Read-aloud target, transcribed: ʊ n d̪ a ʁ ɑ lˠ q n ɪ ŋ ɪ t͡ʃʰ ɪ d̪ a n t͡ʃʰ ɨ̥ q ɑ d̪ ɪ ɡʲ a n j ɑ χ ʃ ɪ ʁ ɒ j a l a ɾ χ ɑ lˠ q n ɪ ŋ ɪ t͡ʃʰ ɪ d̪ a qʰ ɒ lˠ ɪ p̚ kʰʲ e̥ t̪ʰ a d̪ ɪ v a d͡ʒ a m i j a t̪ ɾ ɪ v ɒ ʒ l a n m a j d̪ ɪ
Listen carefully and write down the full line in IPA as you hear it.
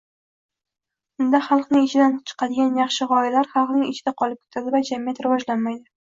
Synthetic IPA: ʊ n d̪ a χ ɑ lˠ q n ɪ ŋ ɪ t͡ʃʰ ɪ d̪ a n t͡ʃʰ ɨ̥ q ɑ d̪ ɪ ɡʲ a n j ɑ χ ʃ ɪ ʁ ɒ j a l a ɾ χ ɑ lˠ q n ɪ ŋ ɪ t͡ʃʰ ɪ d̪ a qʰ ɒ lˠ ɪ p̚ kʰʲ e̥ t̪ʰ a d̪ ɪ v a d͡ʒ a m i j a t̪ ɾ ɪ v ɒ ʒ l a n m a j d̪ ɪ